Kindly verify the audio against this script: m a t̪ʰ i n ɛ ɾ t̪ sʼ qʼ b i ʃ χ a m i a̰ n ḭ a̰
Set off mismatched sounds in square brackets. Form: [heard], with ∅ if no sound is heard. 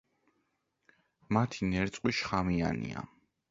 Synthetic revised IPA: m a t̪ʰ i n ɛ ɾ t̪ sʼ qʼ [w] i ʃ χ a m i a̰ n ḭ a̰

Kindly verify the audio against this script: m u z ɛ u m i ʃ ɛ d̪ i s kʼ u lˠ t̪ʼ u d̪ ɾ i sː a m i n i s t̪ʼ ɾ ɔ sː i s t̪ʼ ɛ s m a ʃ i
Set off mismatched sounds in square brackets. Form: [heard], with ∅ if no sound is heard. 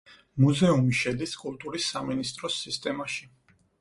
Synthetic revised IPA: m u z ɛ u m i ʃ ɛ d̪ i s kʼ u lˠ t̪ʼ u [∅] ɾ i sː a m i n i s t̪ʼ ɾ ɔ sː i s t̪ʼ ɛ [∅] m a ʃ i

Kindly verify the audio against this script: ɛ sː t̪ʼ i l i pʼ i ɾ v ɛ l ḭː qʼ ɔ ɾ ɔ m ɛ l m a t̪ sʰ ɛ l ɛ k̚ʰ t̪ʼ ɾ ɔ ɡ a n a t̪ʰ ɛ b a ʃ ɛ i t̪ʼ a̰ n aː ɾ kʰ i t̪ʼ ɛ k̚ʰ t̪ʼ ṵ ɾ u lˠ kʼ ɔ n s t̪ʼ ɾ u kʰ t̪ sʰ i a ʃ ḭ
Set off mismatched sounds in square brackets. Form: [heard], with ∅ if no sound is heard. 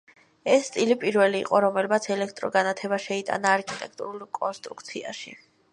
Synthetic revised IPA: ɛ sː t̪ʼ i l i pʼ i ɾ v ɛ l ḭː qʼ ɔ ɾ ɔ m ɛ l m a t̪ sʰ ɛ l ɛ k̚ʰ t̪ʼ ɾ ɔ ɡ a n a t̪ʰ ɛ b a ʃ ɛ i t̪ʼ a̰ n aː ɾ kʰ i t̪ʼ ɛ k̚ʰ t̪ʼ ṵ ɾ u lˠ kʼ ɔ n s t̪ʼ ɾ u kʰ t̪ sʰ i a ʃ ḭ

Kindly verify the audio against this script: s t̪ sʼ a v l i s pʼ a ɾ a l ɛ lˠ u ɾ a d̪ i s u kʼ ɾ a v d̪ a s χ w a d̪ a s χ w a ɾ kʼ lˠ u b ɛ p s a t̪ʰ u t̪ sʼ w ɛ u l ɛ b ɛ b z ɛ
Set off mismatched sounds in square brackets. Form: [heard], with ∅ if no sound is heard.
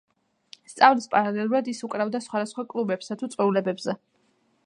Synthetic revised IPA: s t̪ sʼ a v l i s pʼ a ɾ a l ɛ lˠ u ɾ a d̪ i s u kʼ ɾ a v d̪ a s χ w a d̪ a s χ w a [∅] kʼ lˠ u b ɛ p s a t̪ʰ u t̪ sʼ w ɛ u l ɛ b ɛ b z ɛ

